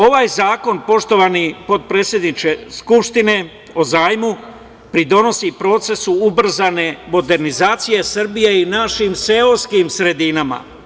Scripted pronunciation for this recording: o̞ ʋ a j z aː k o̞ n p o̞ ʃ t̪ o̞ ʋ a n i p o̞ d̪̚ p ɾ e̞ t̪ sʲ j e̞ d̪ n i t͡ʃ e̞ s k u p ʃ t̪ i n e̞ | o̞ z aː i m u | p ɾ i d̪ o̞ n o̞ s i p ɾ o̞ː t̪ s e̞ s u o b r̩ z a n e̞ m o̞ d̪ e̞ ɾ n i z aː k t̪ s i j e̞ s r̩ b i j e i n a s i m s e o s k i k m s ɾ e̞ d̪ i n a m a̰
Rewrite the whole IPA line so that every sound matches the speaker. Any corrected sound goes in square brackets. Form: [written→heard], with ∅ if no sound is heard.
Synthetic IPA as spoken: o̞ ʋ a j z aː k o̞ n p o̞ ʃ t̪ o̞ ʋ a n i p o̞ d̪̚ p ɾ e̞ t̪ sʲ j e̞ d̪ n i t͡ʃ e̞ s k u p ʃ t̪ i n e̞ | o̞ z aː [i→j] m u | p ɾ i d̪ o̞ n o̞ s i p ɾ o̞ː t̪ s e̞ s u [o→u] b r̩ z a n e̞ m o̞ d̪ e̞ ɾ n i z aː [k→∅] t̪ s i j e̞ s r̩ b i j e i n a [s→ʃ] i m s e o s k i [k→∅] m s ɾ e̞ d̪ i n a m a̰